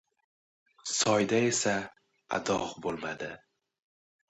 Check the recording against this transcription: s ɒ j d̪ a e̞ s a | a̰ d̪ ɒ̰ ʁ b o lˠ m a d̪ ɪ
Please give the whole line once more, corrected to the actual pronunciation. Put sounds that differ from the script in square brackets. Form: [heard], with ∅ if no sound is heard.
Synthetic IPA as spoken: s ɒ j d̪ a e̞ s a | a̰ d̪ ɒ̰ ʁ b o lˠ m a d̪ ɪ